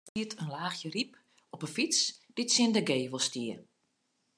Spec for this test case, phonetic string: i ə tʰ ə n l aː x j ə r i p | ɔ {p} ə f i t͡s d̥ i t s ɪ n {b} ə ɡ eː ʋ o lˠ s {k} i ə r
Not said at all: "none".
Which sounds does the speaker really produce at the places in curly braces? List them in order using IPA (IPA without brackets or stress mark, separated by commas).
p, d, t